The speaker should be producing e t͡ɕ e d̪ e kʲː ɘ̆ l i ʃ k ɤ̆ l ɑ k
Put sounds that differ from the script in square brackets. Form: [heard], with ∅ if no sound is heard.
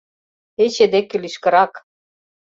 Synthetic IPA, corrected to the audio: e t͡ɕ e d̪ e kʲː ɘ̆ l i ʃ k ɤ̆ [ɾ] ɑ k